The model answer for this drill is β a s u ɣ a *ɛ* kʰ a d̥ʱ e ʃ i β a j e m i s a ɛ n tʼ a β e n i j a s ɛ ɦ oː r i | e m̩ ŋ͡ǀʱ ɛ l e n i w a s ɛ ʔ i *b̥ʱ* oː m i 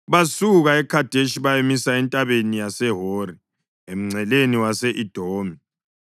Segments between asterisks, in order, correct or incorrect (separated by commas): correct, incorrect